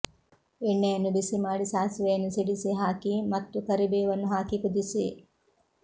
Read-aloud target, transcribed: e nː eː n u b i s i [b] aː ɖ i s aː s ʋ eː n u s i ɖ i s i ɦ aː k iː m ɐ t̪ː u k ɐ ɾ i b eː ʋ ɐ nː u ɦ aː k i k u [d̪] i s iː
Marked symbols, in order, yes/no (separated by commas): no, yes